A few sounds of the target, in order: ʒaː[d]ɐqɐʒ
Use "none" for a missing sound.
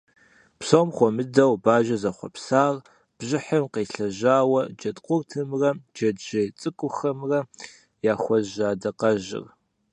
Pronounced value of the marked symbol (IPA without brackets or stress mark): d